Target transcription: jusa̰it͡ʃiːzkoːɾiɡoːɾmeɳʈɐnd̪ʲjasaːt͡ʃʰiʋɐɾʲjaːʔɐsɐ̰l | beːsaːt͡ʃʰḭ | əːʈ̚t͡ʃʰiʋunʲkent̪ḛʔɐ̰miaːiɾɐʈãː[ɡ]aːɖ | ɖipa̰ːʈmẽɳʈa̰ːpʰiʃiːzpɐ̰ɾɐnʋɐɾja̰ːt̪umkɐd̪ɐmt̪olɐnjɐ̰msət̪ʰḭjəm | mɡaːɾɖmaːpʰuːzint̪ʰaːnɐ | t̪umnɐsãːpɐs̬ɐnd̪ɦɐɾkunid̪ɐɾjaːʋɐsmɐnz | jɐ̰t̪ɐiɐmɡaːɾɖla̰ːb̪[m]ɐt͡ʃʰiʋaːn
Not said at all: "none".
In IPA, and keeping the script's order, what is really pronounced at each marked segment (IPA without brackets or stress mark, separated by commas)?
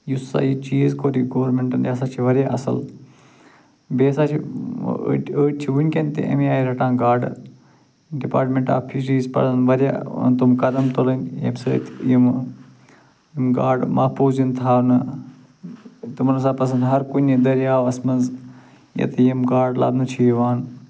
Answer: ɡ, n